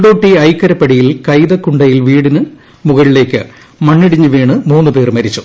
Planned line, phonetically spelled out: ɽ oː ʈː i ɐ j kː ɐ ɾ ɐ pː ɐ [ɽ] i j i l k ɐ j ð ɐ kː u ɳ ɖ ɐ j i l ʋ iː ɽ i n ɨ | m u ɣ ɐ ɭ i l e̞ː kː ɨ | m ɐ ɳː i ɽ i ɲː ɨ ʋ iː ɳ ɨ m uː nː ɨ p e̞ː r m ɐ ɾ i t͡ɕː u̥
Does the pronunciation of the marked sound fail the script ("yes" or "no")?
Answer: no